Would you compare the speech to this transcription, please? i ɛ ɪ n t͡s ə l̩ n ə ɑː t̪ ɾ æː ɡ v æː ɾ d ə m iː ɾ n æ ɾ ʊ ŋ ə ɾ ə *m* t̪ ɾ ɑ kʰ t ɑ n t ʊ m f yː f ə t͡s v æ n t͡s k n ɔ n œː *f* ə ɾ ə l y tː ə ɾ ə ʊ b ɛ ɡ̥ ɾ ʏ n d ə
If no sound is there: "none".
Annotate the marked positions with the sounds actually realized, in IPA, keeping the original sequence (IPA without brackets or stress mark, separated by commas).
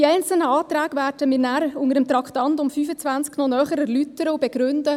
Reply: m, χ